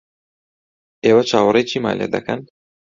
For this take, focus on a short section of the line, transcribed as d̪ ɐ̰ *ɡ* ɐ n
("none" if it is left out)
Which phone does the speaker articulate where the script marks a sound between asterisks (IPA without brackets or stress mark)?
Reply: k